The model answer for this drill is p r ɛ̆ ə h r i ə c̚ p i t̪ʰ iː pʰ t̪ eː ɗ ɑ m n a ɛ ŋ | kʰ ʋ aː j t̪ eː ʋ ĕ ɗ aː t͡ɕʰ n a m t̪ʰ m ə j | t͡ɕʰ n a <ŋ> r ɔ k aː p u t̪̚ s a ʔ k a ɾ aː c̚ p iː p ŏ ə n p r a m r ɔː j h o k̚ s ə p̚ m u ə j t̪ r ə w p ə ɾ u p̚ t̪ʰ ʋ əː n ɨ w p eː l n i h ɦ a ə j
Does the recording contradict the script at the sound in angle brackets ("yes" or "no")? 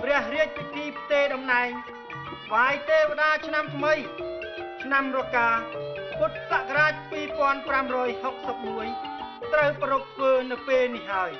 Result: yes